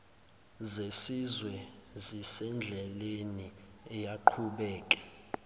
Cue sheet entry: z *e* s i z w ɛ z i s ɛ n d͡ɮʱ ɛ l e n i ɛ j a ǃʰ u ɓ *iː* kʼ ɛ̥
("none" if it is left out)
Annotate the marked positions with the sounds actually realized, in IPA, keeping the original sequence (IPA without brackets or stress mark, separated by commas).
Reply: e, ɛː